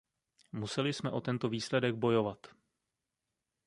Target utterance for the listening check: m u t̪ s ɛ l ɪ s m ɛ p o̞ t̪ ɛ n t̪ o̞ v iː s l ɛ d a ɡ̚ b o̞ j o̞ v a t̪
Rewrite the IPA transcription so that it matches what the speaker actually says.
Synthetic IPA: m u s ɛ l ɪ s m ɛ ʔ o̞ t̪ ɛ n t̪ o̞ v iː s l ɛ d ɛ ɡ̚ b o̞ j o̞ v a t̪